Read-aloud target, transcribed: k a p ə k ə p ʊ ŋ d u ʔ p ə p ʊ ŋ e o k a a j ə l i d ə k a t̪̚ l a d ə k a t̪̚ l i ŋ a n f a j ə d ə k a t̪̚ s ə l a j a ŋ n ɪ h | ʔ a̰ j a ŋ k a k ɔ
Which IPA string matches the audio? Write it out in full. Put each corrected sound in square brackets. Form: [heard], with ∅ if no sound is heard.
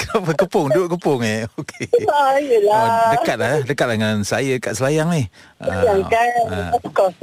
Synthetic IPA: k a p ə k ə p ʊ ŋ d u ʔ [k] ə p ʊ ŋ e o k [e] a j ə l [a] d ə k a t̪̚ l a d ə k a t̪̚ l [a] ŋ a n [s] a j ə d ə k a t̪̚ s ə l a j a ŋ n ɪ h | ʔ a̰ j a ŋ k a k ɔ